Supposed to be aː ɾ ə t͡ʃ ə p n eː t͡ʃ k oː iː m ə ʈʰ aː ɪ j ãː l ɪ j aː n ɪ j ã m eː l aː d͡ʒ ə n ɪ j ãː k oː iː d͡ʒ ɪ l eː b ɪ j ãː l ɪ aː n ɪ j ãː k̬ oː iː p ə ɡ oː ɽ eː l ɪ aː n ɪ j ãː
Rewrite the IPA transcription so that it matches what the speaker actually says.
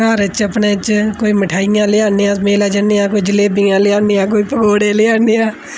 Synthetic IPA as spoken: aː ɾ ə t͡ʃ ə p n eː t͡ʃ k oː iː m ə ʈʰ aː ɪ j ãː l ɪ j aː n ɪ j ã m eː l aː d͡ʒ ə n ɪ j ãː k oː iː d͡ʒ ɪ l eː b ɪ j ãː l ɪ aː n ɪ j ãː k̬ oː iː p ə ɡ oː ɽ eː l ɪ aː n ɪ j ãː